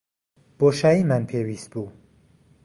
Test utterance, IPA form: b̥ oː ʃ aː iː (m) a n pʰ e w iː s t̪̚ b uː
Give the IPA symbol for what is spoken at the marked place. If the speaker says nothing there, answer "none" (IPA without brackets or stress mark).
m